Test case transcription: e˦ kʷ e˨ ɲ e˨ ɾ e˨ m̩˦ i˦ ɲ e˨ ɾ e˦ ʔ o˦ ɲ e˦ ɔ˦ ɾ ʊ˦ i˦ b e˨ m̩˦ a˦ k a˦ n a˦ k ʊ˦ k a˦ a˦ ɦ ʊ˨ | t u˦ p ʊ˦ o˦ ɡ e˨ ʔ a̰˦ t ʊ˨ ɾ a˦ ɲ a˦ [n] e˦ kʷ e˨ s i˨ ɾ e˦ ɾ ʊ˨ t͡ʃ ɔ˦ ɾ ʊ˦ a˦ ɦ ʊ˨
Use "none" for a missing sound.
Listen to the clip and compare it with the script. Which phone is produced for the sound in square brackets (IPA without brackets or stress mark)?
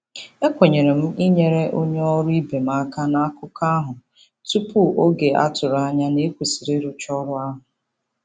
n